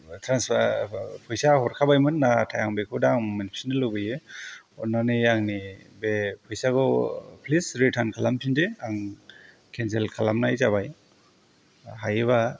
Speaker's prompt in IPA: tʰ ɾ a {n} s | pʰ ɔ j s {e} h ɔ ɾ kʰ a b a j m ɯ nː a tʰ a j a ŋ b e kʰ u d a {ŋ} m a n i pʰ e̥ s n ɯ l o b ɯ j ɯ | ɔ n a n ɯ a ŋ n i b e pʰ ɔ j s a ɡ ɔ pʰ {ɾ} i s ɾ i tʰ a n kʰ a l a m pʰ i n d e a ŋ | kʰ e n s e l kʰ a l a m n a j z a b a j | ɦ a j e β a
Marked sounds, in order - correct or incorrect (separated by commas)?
correct, incorrect, correct, incorrect